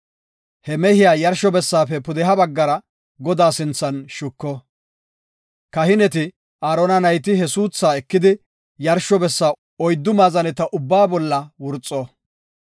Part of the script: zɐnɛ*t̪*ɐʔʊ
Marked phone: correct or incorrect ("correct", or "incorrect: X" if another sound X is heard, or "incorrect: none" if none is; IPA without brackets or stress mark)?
correct